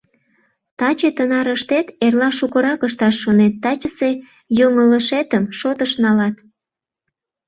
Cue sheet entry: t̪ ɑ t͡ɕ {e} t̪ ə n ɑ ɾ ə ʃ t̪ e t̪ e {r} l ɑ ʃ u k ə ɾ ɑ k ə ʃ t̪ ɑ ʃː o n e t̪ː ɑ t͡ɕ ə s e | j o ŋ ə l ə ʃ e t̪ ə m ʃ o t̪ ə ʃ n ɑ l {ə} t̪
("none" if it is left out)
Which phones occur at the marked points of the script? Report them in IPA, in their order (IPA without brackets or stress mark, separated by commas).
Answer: e, r, ɑ